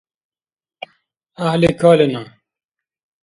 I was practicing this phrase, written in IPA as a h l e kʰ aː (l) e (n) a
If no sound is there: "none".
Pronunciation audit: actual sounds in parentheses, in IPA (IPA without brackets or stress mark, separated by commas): l, n